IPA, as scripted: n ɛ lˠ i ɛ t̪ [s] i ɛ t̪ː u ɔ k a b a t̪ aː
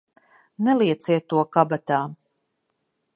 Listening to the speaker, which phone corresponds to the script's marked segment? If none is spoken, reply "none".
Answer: s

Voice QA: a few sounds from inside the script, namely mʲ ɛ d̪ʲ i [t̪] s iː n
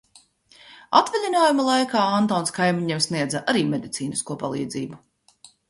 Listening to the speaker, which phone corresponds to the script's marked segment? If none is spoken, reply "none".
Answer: t̪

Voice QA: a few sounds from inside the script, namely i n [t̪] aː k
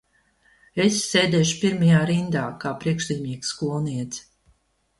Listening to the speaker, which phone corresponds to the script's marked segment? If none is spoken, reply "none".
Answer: d̪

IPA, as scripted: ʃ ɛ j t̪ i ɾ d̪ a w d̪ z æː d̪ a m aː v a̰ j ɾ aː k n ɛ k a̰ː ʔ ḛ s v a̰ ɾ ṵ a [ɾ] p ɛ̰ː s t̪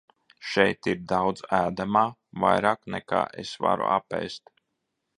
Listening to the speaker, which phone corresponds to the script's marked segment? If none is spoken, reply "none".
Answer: none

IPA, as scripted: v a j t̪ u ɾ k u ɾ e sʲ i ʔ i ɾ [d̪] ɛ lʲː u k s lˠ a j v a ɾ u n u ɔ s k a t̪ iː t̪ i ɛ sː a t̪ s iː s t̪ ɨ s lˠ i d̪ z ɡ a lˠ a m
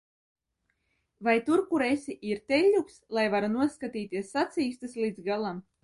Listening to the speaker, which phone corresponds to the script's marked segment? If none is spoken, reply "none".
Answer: t̪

